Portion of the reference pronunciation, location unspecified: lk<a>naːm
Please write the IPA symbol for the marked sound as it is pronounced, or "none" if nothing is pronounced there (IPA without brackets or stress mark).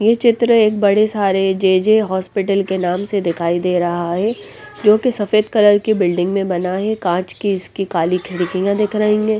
e